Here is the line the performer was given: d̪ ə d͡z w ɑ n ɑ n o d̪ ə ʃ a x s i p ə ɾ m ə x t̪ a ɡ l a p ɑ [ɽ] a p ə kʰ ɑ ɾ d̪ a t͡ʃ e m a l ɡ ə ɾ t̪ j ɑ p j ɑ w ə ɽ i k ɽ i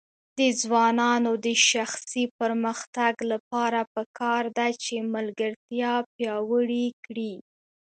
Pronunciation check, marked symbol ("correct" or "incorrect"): incorrect